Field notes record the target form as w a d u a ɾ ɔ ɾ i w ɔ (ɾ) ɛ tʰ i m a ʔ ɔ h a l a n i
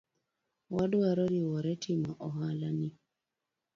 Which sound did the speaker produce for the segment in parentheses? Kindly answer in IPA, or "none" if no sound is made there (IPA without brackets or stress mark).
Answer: ɾ